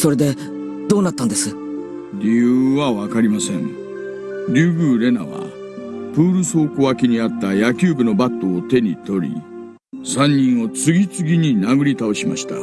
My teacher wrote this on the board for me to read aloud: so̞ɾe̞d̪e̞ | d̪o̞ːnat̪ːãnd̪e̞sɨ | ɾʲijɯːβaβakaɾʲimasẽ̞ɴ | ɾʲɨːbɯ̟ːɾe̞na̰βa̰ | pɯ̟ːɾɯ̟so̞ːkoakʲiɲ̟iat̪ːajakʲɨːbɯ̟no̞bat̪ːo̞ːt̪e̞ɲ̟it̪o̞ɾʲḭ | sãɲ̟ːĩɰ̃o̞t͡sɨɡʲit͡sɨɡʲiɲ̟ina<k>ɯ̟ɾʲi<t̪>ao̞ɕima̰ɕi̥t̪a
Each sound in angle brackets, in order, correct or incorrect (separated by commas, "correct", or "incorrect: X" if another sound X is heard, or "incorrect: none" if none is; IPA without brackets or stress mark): incorrect: ɡ, correct